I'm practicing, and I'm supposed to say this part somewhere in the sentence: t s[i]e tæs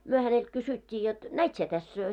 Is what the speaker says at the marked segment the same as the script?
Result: yes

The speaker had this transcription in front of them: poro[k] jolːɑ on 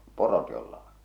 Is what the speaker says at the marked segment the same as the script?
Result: no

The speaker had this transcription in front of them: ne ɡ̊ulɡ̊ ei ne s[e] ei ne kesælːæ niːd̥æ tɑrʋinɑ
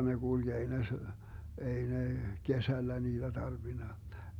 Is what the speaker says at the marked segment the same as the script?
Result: yes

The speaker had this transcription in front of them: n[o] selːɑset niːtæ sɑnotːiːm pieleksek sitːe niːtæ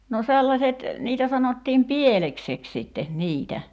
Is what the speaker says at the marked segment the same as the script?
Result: yes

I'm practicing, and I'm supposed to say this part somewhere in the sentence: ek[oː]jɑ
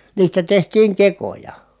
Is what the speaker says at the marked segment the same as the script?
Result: no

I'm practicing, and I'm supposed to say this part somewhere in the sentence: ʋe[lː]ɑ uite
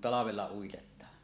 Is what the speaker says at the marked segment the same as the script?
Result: yes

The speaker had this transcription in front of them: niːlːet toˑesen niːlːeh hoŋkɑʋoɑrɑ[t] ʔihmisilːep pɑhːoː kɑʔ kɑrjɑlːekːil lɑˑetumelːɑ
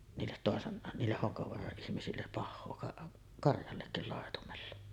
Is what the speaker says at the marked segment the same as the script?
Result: no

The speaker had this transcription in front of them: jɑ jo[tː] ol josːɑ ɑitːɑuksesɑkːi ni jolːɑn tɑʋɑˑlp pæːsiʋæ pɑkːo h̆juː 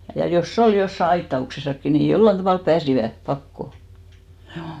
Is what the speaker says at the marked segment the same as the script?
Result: no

